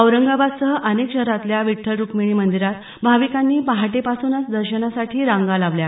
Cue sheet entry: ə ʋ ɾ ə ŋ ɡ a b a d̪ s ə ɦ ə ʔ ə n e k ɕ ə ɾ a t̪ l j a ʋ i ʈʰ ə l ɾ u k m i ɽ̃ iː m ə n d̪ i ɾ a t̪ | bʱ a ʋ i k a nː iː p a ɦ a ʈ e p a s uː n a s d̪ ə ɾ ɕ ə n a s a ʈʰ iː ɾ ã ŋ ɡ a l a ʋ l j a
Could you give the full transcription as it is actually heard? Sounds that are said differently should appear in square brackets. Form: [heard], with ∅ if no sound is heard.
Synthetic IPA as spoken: ə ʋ ɾ ə ŋ ɡ a b a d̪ s ə ɦ ə ʔ ə n e k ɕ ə ɾ a t̪ l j a ʋ i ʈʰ ə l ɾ u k m i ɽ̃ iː m ə n d̪ i ɾ a t̪ | bʱ a ʋ i k a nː iː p a ɦ a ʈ e p a s uː n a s d̪ ə ɾ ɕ ə n a s a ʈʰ iː ɾ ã ŋ ɡ a l a ʋ l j a